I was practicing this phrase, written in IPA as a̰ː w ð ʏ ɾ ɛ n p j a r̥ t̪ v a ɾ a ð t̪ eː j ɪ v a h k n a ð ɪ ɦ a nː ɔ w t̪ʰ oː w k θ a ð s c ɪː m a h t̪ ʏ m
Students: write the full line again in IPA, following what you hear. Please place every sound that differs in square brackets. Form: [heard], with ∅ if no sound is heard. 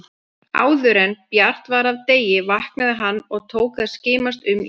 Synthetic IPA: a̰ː w ð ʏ ɾ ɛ n p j a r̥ t̪ v a ɾ a [v] t̪ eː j ɪ v a h k n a ð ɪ ɦ a nː ɔ [ɣ] t̪ʰ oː w k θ a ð s c ɪː m a [s] t̪ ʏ m